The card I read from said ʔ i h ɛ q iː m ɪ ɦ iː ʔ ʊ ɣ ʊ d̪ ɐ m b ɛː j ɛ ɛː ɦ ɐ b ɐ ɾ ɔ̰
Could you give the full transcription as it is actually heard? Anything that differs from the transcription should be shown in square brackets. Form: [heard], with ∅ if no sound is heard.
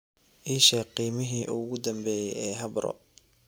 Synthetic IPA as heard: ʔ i [ʃ] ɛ q iː m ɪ ɦ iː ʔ ʊ ɣ ʊ d̪ ɐ m b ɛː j ɛ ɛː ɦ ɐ b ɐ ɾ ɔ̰